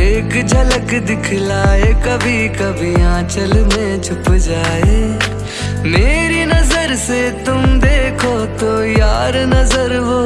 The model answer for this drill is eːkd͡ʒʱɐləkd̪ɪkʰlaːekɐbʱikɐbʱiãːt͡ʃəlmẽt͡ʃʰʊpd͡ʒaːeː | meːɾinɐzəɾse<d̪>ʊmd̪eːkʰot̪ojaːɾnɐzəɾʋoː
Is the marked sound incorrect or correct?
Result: incorrect